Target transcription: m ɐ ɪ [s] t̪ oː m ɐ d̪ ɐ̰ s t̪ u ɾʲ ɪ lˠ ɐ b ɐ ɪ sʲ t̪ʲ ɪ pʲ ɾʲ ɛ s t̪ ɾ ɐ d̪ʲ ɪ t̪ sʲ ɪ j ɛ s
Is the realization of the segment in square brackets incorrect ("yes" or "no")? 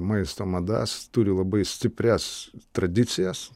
no